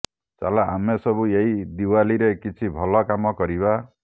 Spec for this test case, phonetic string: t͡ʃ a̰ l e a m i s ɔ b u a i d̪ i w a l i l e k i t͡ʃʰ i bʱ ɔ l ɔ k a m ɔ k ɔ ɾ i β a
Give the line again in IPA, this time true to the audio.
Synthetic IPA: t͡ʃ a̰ l a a m e s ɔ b u e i d̪ i w a l i ɾ e k i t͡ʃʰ i bʱ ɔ l ɔ k a m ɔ k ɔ ɾ i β a